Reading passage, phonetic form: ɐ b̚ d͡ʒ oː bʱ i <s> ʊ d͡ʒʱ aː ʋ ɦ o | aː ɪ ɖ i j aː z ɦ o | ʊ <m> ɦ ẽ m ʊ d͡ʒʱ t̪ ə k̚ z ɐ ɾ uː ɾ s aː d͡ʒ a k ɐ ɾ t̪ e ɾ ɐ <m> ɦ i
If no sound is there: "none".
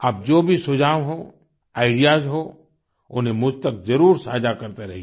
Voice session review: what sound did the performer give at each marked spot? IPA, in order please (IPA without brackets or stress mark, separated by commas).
s, n, none